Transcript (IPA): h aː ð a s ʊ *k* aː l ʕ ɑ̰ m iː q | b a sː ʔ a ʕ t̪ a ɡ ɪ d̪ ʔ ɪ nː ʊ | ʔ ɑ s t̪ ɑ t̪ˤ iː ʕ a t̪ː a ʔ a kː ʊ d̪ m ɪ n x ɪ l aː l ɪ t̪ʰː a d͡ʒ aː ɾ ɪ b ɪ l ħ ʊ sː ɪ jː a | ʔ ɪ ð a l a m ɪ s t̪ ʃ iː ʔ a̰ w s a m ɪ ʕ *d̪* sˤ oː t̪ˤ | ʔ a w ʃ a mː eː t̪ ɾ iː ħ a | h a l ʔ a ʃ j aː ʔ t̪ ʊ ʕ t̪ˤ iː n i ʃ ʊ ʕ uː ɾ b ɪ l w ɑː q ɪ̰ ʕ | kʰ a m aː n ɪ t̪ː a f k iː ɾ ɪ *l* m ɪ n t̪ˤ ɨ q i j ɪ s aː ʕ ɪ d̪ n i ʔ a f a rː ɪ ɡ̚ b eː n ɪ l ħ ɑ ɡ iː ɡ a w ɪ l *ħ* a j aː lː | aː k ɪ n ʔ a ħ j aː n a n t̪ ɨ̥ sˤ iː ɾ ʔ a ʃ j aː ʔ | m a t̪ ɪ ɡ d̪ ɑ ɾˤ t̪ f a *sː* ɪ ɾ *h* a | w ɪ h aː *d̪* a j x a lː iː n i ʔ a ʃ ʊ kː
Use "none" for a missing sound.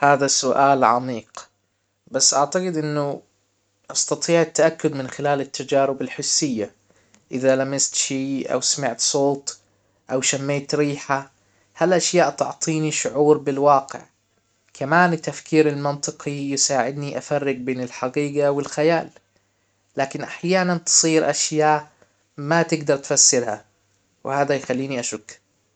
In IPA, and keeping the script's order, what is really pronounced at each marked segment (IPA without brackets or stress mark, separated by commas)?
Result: ʔ, t̪, l, x, sː, h, d̪